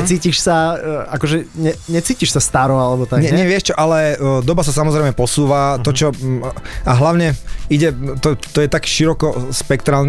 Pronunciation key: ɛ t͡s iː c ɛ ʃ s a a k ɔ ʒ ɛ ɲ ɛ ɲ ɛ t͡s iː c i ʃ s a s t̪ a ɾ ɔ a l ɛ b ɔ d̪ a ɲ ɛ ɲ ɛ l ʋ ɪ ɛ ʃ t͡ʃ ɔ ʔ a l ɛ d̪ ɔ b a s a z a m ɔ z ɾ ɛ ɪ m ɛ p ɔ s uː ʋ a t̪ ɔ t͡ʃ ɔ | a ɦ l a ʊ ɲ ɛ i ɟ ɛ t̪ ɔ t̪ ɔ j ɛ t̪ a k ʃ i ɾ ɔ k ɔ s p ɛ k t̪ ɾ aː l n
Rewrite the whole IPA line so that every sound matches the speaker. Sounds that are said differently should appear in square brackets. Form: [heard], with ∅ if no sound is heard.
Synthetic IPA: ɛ t͡s iː c [i] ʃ s a a k ɔ ʒ ɛ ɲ ɛ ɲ ɛ t͡s iː c i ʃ s a s t̪ a ɾ ɔ a l ɛ b ɔ [t̪] a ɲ ɛ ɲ ɛ [∅] ʋ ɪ ɛ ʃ t͡ʃ ɔ ʔ a l ɛ d̪ ɔ b a s a [s] a m ɔ z ɾ ɛ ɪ m ɛ p ɔ s uː ʋ a t̪ ɔ t͡ʃ ɔ | a ɦ l a ʊ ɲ ɛ i ɟ ɛ t̪ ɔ t̪ ɔ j ɛ t̪ a k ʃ i ɾ ɔ k ɔ s p ɛ k t̪ ɾ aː l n